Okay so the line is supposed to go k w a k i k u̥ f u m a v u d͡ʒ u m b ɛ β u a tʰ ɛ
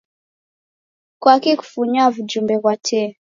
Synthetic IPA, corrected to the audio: k w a k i k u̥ f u ɲ a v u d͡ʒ u m b ɛ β w a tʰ ɛ